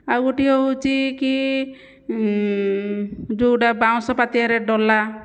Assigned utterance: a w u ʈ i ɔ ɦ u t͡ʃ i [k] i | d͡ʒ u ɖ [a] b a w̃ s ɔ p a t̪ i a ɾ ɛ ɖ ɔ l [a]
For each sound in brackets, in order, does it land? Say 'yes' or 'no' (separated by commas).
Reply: yes, yes, yes